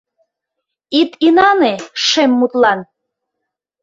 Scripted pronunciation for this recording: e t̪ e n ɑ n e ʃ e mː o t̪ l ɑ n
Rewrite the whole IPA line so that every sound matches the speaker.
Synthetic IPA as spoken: i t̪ i n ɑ n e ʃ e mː u t̪ l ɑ n